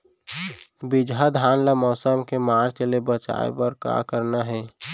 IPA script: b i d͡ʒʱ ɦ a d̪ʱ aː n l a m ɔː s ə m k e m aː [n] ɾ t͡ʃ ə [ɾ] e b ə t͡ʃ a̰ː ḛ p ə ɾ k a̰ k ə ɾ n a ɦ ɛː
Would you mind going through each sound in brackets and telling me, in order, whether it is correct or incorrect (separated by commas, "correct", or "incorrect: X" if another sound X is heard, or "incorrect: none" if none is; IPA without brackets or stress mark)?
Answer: incorrect: none, incorrect: l